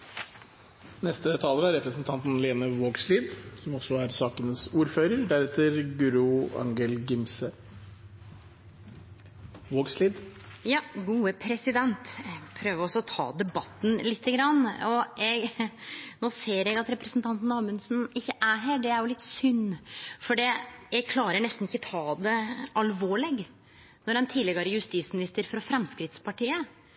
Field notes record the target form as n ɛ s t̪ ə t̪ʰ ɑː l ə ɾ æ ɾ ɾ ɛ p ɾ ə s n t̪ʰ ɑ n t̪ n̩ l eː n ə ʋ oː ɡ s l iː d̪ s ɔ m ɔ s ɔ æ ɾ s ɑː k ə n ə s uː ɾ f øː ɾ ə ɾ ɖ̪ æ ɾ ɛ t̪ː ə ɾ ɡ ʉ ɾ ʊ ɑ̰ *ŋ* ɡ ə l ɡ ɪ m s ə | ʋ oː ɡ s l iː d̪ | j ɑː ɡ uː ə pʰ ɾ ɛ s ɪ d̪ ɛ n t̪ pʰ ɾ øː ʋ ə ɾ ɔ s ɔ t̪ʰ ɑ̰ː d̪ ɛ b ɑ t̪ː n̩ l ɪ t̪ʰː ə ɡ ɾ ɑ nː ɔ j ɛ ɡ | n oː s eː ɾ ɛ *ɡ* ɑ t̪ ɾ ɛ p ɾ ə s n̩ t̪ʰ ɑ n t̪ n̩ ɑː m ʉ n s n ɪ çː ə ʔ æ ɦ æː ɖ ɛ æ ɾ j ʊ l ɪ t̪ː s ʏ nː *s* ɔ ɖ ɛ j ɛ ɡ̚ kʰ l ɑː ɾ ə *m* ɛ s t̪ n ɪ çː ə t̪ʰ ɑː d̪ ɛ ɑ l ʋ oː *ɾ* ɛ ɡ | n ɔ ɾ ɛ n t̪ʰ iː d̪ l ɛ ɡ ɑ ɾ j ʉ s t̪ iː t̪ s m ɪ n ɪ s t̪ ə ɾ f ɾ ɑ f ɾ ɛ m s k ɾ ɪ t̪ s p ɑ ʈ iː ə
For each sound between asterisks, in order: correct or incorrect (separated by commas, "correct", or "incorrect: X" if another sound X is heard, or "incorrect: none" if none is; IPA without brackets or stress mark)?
correct, correct, incorrect: f, incorrect: ɳ, incorrect: ɭ